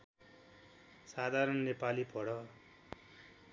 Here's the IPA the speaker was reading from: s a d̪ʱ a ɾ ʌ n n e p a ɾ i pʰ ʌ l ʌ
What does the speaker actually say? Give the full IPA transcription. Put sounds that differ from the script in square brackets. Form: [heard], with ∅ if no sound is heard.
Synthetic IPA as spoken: s a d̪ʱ a ɾ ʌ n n e p a [l] i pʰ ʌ [ɽ] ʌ